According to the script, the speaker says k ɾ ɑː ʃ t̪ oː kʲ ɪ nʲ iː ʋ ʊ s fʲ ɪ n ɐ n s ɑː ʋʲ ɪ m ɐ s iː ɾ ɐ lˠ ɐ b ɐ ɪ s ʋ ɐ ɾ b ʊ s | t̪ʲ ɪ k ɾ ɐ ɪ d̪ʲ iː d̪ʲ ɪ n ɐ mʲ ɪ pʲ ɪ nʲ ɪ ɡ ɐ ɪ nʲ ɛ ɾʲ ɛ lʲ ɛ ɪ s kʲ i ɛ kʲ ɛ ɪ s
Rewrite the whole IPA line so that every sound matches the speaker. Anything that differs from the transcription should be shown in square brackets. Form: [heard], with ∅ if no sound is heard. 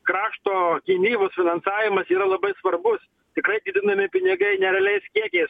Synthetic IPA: k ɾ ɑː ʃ t̪ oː kʲ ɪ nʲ iː ʋ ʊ s fʲ ɪ n ɐ n s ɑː ʋʲ ɪ m ɐ s iː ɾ ɐ lˠ ɐ b ɐ ɪ s ʋ ɐ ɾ b ʊ s | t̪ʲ ɪ k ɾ ɐ ɪ d̪ʲ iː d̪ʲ ɪ n ɐ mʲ ɪ pʲ ɪ nʲ ɪ ɡ ɐ ɪ nʲ ɛ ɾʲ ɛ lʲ ɛ ɪ s kʲ i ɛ kʲ ɛ ɪ s